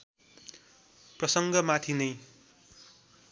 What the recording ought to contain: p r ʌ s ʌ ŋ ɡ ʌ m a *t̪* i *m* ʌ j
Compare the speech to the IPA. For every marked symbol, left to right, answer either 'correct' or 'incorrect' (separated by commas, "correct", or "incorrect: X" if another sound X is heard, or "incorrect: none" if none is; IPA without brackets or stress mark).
incorrect: t̪ʰ, incorrect: n